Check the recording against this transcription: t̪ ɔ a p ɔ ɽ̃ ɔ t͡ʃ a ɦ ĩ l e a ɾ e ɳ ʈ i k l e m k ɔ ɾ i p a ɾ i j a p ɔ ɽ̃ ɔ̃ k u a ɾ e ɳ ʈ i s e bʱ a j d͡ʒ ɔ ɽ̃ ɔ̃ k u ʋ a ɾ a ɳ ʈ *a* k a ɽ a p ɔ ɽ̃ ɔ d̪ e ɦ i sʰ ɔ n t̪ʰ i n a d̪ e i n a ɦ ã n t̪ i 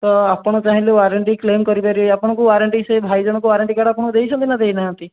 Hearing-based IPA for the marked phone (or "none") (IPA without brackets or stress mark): i